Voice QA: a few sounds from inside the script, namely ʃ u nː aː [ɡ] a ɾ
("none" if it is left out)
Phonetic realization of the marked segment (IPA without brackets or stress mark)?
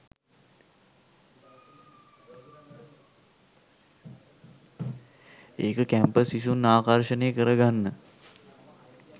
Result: k